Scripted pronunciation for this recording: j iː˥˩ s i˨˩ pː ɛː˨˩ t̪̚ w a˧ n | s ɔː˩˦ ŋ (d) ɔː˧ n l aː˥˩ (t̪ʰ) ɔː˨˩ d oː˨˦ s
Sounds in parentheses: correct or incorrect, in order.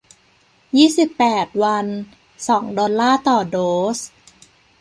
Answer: correct, incorrect: t̪

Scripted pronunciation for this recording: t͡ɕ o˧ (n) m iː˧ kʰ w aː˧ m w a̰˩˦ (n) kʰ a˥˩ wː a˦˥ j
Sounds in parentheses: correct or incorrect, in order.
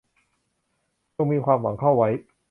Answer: incorrect: ŋ, incorrect: ŋ

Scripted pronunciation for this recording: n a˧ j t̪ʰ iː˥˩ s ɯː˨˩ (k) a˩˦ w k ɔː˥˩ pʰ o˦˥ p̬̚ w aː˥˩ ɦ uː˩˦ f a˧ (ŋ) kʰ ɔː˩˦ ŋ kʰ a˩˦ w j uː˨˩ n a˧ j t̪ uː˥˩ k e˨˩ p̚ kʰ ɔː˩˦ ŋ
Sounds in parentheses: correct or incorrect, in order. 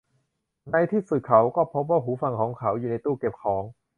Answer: incorrect: kʰ, correct

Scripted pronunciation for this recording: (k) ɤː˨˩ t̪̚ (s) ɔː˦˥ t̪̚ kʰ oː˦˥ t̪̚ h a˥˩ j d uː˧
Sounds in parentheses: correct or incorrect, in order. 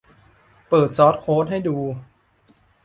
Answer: incorrect: p, correct

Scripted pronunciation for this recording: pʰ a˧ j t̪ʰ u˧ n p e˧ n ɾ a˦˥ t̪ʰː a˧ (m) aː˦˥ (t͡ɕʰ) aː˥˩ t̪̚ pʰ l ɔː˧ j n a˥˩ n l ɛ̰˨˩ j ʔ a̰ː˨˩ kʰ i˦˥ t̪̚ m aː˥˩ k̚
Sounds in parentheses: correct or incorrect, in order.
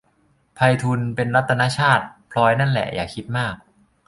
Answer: incorrect: n, correct

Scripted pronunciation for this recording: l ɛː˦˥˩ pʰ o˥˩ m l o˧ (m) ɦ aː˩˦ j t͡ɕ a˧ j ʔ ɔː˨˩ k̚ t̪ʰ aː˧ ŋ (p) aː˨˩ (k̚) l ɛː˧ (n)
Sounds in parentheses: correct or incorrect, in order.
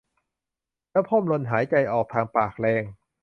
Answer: incorrect: n, correct, correct, incorrect: ŋ

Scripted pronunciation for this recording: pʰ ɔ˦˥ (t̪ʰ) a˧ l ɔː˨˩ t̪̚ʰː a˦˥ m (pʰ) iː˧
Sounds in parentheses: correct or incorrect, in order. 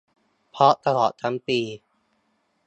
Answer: incorrect: t̪, incorrect: p

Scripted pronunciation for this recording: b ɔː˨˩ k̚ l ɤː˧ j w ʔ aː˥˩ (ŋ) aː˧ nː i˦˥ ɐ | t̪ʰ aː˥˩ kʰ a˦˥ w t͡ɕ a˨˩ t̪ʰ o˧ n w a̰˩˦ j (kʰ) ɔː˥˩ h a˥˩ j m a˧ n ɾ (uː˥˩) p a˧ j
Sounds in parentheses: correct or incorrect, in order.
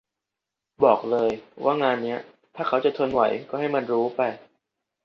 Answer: correct, incorrect: k, incorrect: uː˦˥

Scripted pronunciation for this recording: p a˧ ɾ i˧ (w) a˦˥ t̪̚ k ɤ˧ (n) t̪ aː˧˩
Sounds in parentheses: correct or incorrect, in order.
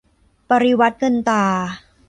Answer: correct, correct

